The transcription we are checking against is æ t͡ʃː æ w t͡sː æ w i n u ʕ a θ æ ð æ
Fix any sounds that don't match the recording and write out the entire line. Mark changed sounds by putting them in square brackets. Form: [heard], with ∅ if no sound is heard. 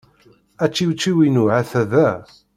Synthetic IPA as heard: æ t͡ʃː [i] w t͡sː [i] w i n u ʕ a θ æ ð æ